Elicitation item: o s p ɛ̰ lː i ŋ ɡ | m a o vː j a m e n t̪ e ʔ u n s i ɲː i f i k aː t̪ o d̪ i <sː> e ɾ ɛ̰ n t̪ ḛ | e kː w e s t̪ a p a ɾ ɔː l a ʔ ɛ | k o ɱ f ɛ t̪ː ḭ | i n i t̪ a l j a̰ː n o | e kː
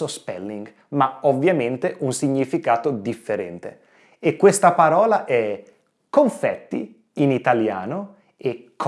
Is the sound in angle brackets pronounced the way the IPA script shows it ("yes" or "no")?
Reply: no